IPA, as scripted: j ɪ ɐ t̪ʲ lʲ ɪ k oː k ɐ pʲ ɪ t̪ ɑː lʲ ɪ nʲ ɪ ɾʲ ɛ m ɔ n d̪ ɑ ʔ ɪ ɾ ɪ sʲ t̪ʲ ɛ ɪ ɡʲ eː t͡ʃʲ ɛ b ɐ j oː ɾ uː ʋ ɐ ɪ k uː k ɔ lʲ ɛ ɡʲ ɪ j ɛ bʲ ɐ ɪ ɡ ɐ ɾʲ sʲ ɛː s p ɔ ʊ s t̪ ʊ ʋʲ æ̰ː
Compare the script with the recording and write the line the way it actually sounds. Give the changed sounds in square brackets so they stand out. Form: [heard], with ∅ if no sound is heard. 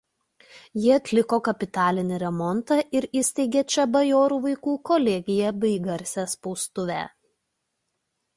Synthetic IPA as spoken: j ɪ ɐ t̪ʲ lʲ ɪ k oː k ɐ pʲ ɪ t̪ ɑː lʲ ɪ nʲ ɪ ɾʲ ɛ m ɔ n [t̪] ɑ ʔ ɪ ɾ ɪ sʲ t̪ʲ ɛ ɪ ɡʲ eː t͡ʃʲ ɛ b ɐ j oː ɾ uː ʋ ɐ ɪ k uː k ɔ lʲ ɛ ɡʲ ɪ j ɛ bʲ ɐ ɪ ɡ ɐ ɾʲ sʲ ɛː s p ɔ ʊ s t̪ ʊ ʋʲ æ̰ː